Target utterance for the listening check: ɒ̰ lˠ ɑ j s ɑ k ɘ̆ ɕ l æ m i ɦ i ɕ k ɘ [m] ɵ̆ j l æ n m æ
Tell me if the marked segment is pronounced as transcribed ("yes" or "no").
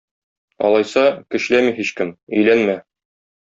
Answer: yes